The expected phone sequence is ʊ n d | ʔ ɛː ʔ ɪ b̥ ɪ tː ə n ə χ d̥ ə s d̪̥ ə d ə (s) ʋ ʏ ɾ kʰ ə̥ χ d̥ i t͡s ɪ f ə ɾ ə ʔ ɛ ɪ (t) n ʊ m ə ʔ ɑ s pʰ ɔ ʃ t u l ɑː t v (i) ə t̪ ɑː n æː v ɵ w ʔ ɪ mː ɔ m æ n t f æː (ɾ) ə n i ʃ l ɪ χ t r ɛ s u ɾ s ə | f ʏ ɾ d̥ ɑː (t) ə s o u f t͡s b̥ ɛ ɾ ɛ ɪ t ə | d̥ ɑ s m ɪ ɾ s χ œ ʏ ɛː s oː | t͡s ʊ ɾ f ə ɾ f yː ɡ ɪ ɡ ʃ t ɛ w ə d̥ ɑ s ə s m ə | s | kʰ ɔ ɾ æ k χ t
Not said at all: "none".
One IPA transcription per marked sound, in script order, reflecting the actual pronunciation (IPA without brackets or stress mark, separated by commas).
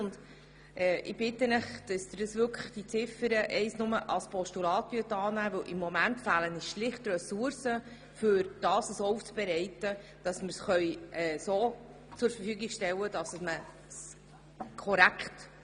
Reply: s, s, y, l, s